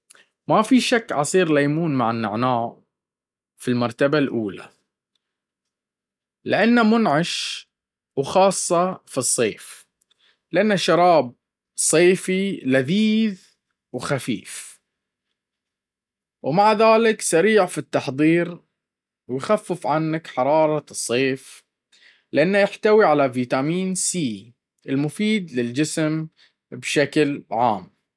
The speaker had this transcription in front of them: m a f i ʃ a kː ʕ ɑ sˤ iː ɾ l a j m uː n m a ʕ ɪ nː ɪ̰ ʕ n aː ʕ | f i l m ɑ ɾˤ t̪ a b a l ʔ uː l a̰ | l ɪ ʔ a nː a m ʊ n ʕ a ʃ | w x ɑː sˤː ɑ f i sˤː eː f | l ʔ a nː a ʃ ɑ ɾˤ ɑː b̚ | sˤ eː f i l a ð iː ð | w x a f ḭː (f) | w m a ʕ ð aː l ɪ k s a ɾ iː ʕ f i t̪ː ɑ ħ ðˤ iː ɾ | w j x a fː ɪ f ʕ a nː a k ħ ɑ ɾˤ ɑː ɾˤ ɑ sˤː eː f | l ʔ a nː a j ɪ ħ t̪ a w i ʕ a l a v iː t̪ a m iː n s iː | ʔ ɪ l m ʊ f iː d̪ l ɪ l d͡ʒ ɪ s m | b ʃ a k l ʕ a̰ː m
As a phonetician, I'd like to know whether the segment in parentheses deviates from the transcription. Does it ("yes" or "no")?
no